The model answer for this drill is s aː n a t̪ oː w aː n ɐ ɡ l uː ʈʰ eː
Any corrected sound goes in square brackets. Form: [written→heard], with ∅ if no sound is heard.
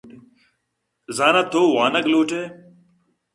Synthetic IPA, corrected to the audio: [s→z] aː n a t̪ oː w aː n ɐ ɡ l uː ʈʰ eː